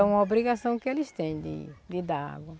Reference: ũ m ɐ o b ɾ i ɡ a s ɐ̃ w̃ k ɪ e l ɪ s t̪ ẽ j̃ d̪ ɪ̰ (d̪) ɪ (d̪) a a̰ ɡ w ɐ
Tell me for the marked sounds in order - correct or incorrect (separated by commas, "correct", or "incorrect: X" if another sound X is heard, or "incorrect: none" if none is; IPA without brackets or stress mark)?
correct, correct